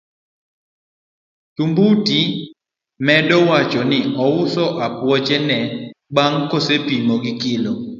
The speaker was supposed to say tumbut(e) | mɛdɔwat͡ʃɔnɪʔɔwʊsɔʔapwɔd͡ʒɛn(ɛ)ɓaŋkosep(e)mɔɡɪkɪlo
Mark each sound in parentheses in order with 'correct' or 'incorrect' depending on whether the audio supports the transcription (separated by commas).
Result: incorrect, correct, incorrect